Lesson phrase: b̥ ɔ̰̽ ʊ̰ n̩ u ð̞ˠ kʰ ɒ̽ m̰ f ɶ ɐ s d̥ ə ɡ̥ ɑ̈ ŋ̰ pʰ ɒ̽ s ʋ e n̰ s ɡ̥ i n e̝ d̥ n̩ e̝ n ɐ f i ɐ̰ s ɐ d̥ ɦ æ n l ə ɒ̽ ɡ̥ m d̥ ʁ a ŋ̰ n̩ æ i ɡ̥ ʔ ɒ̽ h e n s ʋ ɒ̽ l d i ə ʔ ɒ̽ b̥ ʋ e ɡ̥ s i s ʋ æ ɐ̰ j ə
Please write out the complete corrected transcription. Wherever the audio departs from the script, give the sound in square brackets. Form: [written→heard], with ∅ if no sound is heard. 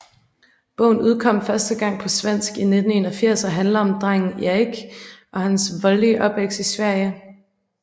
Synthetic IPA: b̥ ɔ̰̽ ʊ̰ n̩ u ð̞ˠ kʰ ɒ̽ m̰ f ɶ ɐ s d̥ ə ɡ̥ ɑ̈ ŋ̰ pʰ ɒ̽ s ʋ e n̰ s ɡ̥ i n e̝ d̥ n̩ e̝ n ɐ f i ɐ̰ s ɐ [d̥→∅] ɦ æ n l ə ɒ̽ [ɡ̥→∅] m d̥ ʁ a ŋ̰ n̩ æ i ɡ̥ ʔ ɒ̽ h [e→æ] n s ʋ ɒ̽ l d i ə ʔ ɒ̽ b̥ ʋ e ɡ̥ s i s ʋ æ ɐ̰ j ə